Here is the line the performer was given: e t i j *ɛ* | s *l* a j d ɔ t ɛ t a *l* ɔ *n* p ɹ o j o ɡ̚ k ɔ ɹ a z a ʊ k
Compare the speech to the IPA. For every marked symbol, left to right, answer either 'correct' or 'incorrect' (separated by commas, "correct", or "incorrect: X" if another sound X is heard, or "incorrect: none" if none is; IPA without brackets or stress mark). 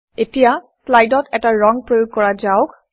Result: incorrect: a, correct, incorrect: ɹ, incorrect: ŋ